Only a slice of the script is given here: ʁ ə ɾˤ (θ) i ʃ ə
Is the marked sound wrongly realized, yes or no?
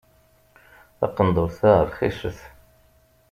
yes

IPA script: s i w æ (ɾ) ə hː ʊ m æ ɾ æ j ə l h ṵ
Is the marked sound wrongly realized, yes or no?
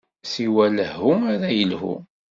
yes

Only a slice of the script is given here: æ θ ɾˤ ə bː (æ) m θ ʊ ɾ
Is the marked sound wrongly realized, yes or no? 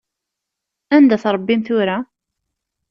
yes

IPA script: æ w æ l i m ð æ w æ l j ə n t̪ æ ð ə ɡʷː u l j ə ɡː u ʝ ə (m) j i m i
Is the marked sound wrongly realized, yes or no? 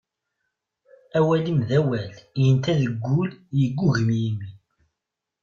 no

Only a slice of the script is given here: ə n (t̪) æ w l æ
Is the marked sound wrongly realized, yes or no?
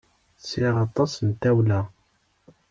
no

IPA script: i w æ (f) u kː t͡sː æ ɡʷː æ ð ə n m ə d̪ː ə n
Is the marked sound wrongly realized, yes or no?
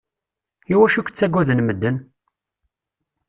yes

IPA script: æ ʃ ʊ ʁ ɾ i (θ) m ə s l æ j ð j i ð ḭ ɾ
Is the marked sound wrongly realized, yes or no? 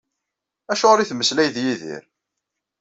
no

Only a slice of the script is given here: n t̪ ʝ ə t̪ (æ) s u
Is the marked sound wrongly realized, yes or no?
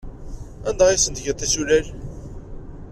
no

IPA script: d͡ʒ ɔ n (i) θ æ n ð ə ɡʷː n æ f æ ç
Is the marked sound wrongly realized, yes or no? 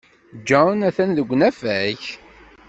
yes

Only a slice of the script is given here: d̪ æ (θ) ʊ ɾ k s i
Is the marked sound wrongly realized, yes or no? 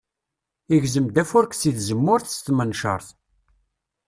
yes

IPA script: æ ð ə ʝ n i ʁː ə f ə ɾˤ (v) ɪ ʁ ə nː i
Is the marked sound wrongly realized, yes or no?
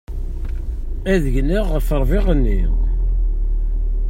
no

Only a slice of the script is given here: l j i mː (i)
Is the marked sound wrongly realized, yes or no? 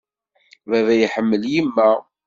yes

